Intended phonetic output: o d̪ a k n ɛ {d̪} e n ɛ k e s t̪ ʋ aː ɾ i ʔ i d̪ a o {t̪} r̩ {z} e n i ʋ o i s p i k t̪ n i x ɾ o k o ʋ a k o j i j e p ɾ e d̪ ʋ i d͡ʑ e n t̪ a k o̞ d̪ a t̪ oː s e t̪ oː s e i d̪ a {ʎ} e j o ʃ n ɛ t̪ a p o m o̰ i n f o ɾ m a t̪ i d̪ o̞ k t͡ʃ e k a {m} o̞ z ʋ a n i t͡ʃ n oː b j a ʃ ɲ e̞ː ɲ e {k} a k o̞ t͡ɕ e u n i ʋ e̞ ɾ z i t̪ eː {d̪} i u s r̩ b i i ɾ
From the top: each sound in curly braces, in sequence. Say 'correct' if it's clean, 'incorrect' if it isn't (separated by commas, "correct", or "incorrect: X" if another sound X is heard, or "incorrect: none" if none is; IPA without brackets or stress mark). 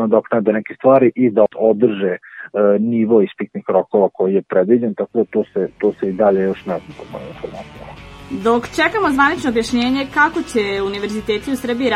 correct, incorrect: d̪, incorrect: ʒ, correct, correct, correct, incorrect: t̪